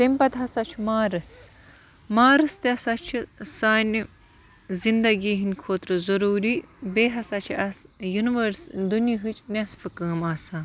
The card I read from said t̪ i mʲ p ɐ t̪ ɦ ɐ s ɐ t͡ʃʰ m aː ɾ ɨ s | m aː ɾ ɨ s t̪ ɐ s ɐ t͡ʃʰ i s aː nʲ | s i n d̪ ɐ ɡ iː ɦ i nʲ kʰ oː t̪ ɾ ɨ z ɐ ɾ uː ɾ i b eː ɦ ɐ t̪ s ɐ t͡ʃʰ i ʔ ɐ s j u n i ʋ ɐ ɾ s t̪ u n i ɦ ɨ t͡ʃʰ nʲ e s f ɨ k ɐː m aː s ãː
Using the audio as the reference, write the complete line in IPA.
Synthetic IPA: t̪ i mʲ p ɐ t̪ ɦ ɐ s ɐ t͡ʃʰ m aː ɾ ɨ s | m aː ɾ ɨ s t̪ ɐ s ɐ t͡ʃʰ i s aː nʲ | z i n d̪ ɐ ɡ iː ɦ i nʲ kʰ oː t̪ ɾ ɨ z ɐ ɾ uː ɾ i b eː ɦ ɐ s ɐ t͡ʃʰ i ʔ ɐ s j u n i ʋ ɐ ɾ s d̪ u n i ɦ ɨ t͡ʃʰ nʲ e s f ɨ k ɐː m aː s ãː